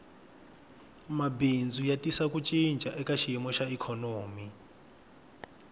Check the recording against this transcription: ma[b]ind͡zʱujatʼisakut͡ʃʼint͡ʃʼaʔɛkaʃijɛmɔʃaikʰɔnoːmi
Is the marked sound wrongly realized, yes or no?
no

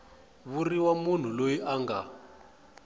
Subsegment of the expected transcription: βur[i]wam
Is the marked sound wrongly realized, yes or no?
no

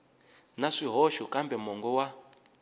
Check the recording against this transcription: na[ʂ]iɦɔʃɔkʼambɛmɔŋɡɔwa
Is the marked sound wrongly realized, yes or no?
no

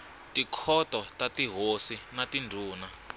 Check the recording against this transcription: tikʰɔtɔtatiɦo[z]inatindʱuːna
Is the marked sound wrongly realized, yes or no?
yes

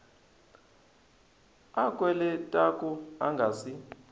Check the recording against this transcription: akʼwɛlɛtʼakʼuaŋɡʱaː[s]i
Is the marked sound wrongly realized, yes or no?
no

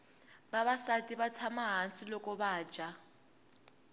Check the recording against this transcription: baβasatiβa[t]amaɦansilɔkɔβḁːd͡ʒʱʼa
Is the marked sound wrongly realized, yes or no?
yes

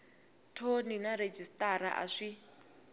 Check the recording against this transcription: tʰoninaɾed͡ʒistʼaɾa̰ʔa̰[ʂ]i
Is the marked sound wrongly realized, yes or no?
no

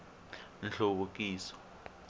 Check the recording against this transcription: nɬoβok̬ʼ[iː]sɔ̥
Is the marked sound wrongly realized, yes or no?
no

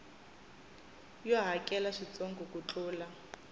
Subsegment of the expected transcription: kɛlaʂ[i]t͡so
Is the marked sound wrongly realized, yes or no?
no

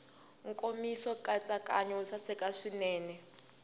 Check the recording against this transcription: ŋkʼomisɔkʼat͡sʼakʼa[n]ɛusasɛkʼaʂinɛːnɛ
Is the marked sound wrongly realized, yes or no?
yes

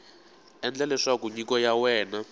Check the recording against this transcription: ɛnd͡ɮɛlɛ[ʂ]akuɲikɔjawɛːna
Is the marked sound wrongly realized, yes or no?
no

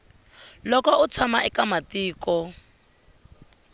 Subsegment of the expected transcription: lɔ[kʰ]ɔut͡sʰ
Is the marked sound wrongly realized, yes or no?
yes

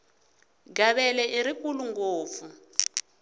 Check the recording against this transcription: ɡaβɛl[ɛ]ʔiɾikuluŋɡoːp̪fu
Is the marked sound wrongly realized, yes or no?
no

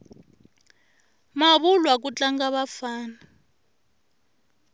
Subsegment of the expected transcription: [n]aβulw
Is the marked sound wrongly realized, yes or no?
yes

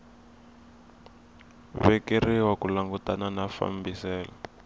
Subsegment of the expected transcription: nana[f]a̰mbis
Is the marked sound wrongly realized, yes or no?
no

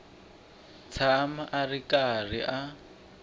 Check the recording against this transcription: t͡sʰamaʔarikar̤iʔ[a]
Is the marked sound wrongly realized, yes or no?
no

